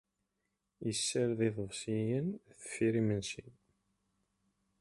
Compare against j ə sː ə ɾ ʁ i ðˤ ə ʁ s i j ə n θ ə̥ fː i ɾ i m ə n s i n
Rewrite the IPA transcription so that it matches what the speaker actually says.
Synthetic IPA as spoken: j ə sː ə ɾ ð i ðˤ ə v s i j ə n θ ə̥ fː i ɾ i m ə n s i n